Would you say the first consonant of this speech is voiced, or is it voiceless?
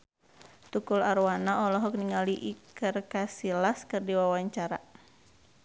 voiceless